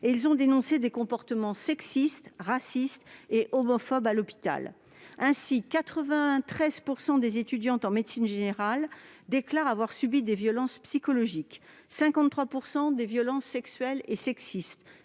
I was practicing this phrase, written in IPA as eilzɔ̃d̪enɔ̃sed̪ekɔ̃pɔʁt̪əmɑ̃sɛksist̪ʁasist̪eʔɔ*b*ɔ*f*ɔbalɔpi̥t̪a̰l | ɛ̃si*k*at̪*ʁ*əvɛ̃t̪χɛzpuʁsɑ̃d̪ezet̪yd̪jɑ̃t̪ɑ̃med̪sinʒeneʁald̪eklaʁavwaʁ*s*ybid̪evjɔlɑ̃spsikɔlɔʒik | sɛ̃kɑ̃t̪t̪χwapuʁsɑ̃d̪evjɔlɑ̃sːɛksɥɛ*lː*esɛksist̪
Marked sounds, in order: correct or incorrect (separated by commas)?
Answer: incorrect, correct, correct, incorrect, correct, incorrect